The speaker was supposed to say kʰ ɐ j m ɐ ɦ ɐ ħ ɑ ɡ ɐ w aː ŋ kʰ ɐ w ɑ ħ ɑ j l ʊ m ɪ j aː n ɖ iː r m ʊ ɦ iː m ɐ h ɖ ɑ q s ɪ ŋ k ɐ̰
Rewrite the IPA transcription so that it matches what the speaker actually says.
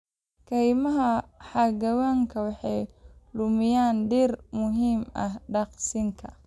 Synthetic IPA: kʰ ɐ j m ɐ ɦ ɐ ħ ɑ ɡ ɐ w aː ŋ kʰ ɐ w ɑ ħ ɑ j l ʊ m ɪ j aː n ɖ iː r m ʊ ɦ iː m ɐ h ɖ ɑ q s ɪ ŋ kʰ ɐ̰